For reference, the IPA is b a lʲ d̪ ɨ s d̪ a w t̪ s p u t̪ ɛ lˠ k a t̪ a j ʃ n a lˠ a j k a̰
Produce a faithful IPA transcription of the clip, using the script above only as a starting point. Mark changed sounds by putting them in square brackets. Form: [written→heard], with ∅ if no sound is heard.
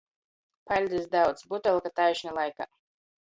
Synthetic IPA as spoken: [b→p] a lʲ d̪ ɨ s d̪ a w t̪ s [p→b] u t̪ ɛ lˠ k a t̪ a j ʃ n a lˠ a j k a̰